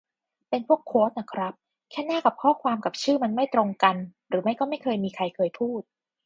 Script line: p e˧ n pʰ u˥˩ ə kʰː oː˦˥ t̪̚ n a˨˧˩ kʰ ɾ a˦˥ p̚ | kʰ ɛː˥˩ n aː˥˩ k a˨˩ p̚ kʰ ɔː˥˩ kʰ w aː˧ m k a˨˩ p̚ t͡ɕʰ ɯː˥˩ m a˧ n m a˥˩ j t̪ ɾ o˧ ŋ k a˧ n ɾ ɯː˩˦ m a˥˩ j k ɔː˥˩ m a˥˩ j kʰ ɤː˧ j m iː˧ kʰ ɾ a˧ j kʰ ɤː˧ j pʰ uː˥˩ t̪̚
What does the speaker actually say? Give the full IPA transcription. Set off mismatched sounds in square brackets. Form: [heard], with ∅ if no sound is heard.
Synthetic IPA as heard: p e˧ n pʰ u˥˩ ə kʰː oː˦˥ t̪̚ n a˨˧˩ kʰ ɾ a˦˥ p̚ | kʰ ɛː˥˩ n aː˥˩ k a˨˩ p̚ kʰ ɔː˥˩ kʰ w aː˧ m k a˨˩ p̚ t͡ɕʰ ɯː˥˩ m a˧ n m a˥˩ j t̪ ɾ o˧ ŋ k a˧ n ɾ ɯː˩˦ m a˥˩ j k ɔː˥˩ m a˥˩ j kʰ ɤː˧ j m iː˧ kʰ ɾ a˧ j kʰ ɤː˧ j pʰ uː˥˩ t̪̚